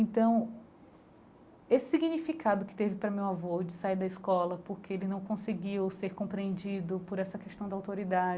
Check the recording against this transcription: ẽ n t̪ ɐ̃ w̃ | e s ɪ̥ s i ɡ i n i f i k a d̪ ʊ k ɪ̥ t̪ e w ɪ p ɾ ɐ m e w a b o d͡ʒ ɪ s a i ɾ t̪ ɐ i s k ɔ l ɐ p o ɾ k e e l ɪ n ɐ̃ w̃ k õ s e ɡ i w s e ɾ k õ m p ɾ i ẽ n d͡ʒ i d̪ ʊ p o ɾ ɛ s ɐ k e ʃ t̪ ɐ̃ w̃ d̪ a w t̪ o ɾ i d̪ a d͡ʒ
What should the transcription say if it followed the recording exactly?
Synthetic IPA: ẽ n t̪ ɐ̃ w̃ | e s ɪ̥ s i ɡ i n i f i k a d̪ ʊ k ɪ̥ t̪ e v ɪ p ɾ ɐ m e w a v o d͡ʒ ɪ s a i ɾ d̪ ɐ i s k ɔ l ɐ p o ɾ k e e l ɪ n ɐ̃ w̃ k õ s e ɡ i w s e ɾ k õ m p ɾ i ẽ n d͡ʒ i d̪ ʊ p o ɾ ɛ s ɐ k e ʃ t̪ ɐ̃ w̃ d̪ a w t̪ o ɾ i d̪ a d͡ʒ